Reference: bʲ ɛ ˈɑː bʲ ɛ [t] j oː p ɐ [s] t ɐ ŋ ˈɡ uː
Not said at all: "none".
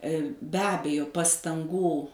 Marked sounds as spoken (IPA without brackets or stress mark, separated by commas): none, s